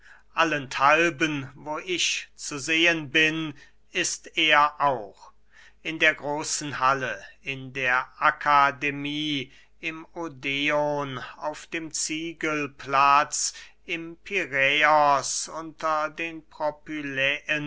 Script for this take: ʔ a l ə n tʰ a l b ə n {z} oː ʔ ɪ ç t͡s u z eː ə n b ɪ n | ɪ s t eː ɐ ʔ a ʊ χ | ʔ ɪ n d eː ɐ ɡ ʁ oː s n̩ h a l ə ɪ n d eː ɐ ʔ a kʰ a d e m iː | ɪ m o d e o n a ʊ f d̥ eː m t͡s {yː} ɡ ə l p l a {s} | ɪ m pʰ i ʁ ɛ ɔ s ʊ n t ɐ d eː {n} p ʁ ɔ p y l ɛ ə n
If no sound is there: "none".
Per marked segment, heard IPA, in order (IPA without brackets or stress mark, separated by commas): v, iː, t͡s, n